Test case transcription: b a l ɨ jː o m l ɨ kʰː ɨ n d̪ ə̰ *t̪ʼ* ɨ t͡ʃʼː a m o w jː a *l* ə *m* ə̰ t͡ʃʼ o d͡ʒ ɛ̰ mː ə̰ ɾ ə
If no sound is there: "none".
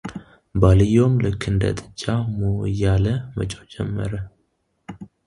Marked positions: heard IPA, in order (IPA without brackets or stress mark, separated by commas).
t̪ʼ, l, m